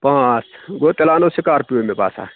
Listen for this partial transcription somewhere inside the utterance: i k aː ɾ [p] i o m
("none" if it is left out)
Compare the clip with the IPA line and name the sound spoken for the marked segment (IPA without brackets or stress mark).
p